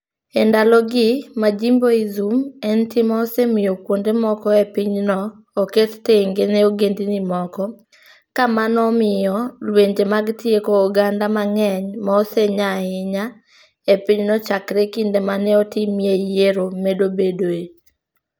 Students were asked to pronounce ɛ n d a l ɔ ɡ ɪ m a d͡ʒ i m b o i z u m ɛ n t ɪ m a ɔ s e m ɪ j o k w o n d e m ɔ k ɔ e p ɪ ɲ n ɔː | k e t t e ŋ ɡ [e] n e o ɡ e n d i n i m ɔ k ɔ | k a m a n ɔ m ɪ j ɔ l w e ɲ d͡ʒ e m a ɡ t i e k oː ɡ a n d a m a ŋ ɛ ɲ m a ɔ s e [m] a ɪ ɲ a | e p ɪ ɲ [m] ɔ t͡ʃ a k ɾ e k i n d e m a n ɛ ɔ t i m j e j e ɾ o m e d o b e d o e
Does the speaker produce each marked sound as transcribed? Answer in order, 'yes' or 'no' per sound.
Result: yes, no, no

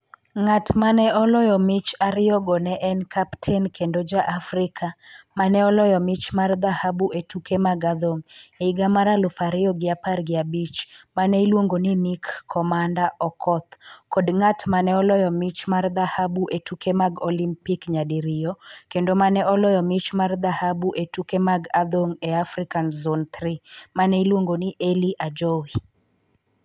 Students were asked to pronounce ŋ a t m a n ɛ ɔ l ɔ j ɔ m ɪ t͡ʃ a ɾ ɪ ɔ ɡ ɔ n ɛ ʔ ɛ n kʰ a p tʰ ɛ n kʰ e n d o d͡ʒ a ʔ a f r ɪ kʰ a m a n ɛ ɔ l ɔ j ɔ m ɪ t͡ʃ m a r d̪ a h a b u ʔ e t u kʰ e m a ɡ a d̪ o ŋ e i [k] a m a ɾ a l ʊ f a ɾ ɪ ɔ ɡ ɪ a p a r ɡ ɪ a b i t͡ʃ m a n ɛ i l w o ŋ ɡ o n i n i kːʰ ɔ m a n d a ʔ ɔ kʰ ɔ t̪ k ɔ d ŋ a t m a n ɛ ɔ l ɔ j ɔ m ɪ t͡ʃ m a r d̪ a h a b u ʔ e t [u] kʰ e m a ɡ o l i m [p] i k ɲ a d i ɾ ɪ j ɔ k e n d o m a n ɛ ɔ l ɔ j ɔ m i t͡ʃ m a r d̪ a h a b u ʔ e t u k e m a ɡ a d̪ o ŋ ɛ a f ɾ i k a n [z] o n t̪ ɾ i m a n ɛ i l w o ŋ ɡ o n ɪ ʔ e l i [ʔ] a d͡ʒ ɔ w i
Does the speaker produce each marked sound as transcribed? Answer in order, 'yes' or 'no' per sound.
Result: no, yes, yes, yes, yes

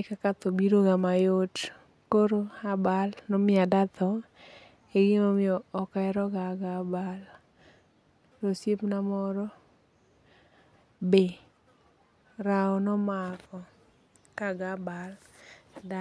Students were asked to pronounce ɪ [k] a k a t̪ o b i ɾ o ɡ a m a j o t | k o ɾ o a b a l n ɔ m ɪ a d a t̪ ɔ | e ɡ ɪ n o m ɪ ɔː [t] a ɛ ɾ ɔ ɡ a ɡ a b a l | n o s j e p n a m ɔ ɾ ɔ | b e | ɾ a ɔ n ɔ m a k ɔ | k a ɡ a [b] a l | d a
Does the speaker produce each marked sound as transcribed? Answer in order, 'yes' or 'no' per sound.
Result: yes, no, yes

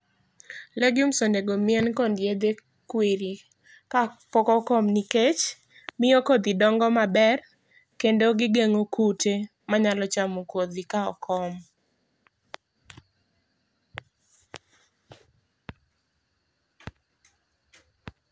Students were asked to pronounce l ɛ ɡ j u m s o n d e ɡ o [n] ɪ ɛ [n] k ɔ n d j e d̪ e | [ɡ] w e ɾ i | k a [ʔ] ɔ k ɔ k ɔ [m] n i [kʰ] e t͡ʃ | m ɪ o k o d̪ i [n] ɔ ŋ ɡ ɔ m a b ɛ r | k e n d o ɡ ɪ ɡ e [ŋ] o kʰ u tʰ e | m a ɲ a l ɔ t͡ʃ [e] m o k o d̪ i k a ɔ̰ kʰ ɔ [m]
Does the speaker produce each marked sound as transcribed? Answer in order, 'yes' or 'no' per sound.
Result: no, yes, no, no, yes, no, no, yes, no, yes

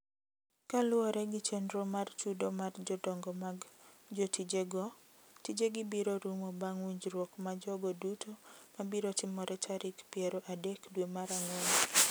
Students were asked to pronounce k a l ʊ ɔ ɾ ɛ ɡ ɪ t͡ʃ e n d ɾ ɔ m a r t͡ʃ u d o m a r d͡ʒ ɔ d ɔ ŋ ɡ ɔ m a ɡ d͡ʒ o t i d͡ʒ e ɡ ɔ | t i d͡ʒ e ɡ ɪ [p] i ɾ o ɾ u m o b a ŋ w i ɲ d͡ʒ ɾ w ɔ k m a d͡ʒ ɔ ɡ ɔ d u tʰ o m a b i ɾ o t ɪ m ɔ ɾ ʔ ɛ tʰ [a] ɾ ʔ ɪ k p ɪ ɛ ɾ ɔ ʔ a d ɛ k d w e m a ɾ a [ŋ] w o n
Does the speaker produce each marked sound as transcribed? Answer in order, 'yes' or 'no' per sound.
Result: no, yes, yes

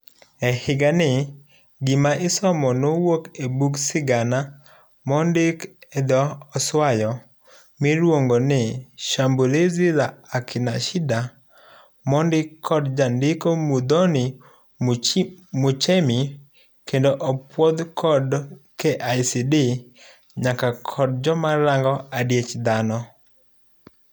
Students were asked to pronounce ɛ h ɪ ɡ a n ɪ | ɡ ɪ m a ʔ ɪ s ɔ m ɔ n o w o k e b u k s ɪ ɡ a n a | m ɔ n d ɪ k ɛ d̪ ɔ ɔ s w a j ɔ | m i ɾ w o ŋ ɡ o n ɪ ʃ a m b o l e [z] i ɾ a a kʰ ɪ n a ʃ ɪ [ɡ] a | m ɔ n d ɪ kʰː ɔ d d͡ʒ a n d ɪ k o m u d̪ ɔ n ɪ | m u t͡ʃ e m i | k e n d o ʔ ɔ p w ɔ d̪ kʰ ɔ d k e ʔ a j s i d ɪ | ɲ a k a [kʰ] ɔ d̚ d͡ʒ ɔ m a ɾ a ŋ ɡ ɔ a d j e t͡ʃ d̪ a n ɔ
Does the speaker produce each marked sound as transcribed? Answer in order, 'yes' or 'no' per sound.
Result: yes, no, yes

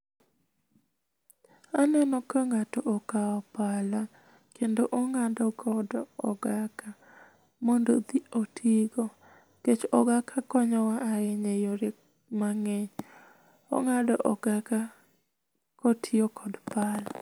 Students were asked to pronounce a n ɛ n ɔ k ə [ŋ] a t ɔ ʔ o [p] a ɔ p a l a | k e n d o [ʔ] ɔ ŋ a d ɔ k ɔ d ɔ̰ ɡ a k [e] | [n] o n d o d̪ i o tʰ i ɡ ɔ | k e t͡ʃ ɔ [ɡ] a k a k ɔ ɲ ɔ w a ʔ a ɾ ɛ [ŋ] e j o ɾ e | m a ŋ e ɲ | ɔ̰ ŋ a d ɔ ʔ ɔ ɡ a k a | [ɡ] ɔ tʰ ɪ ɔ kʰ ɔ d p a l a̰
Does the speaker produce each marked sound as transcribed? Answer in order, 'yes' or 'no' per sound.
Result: yes, no, yes, no, no, yes, no, no

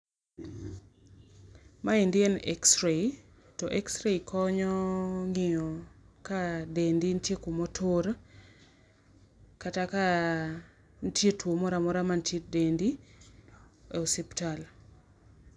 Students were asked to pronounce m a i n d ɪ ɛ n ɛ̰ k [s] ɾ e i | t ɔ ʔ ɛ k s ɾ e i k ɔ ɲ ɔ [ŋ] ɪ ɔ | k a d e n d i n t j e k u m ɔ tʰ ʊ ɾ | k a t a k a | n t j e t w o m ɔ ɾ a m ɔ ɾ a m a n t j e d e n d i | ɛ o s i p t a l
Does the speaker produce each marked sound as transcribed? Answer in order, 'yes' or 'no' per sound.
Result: yes, yes

